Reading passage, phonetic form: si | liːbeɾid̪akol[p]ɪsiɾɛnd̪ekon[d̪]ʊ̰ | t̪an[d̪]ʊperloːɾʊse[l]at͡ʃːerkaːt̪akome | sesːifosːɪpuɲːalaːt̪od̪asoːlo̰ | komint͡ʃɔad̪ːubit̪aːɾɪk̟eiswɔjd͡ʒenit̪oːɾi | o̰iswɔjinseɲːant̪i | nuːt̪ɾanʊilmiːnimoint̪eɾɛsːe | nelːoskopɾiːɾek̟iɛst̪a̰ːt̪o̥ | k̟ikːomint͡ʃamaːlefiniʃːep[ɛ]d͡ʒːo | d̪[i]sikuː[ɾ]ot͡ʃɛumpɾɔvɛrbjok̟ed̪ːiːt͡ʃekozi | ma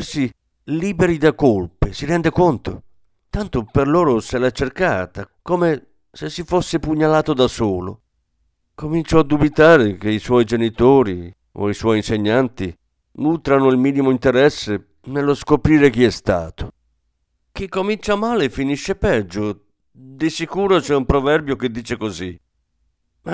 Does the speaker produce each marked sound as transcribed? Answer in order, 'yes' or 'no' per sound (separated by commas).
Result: yes, no, no, yes, yes, yes, yes